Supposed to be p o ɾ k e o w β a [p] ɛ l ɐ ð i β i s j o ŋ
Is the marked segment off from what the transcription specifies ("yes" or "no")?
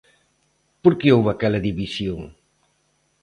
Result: yes